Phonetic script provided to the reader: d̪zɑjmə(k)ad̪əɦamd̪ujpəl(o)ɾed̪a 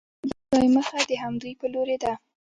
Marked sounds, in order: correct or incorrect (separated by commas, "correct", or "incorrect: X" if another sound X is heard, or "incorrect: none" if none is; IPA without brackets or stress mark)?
incorrect: x, correct